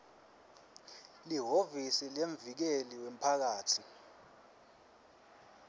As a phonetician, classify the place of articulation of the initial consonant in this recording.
alveolar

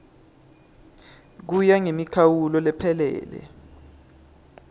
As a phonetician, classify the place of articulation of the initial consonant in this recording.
velar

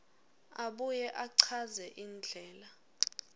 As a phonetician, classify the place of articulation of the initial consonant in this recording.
labial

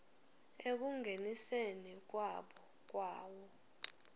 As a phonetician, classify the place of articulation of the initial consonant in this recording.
velar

